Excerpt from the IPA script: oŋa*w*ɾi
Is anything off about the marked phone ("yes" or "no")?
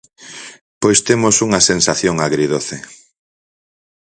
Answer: yes